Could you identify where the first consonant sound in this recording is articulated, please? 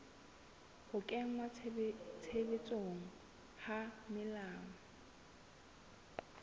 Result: glottal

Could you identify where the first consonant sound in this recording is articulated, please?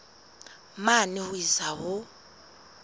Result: labial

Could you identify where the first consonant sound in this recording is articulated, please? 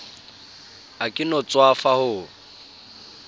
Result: velar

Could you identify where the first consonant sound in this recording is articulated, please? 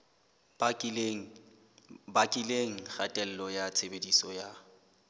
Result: labial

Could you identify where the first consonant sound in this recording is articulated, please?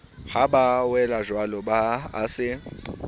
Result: glottal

